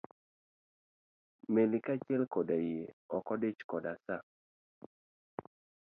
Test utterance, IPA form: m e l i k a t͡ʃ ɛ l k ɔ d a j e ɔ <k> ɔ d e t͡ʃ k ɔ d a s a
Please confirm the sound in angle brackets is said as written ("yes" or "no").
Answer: yes